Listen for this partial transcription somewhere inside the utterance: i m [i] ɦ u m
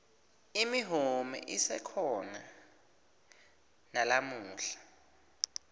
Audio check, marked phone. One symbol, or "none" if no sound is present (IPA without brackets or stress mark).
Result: i